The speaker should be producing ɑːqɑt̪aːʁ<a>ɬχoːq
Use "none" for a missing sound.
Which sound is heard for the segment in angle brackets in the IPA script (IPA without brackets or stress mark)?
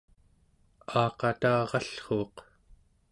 ɑ